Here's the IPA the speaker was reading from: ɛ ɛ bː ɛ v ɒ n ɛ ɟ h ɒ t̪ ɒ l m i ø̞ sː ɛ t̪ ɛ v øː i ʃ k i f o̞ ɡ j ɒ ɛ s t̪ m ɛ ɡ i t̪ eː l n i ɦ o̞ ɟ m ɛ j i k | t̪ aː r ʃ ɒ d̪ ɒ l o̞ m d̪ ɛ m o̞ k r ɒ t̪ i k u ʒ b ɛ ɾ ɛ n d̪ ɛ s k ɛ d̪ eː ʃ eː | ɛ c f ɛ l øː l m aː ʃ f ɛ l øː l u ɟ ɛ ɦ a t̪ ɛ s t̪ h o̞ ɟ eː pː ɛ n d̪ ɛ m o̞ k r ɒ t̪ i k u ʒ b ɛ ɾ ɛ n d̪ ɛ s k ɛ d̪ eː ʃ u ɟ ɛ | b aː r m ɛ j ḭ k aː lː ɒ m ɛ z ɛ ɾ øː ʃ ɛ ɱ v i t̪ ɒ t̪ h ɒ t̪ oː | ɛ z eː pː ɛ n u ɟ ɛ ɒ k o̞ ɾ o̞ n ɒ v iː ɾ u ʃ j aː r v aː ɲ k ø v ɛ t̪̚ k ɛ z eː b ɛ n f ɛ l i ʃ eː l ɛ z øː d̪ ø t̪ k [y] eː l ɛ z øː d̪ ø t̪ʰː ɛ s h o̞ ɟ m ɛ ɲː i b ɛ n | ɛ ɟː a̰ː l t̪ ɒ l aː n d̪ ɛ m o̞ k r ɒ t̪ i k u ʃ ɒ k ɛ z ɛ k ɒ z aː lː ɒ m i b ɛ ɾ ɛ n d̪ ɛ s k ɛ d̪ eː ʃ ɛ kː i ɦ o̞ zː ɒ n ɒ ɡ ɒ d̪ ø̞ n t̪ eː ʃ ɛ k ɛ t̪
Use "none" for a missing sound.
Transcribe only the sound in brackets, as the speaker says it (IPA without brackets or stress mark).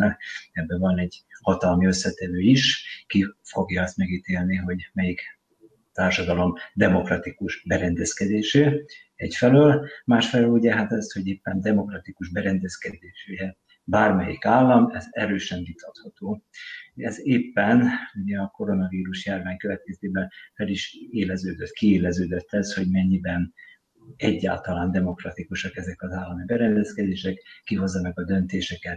i